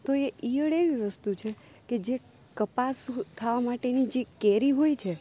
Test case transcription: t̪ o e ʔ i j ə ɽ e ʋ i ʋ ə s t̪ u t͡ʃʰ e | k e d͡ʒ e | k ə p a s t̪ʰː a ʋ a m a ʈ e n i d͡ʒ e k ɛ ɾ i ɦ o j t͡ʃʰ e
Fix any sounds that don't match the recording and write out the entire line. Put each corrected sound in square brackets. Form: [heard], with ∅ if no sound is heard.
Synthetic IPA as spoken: t̪ o e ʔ i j ə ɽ e ʋ i ʋ ə s t̪ u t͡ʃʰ e | k e d͡ʒ e | k ə p a s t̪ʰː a ʋ a m a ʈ e n i d͡ʒ e k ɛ ɾ i ɦ o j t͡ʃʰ e